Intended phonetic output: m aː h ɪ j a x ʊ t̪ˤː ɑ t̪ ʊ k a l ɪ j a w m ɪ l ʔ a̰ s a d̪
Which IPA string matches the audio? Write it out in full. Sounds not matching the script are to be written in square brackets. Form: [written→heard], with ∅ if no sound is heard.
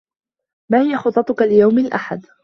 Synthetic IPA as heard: m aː h ɪ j a x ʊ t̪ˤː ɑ t̪ ʊ k a l ɪ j a w m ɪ l ʔ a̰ [s→ħ] a d̪